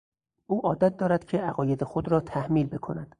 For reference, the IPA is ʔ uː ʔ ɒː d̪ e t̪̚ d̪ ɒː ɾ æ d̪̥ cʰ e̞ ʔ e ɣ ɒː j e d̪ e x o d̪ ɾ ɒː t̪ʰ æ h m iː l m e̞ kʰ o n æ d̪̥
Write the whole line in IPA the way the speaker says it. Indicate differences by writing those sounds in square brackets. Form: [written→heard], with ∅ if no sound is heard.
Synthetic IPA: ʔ uː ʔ ɒː d̪ [e→æ] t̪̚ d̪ ɒː ɾ æ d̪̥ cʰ e̞ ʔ [e→æ] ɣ ɒː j e d̪ e x o d̪ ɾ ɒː t̪ʰ æ h m iː l [m→b] e̞ kʰ o n æ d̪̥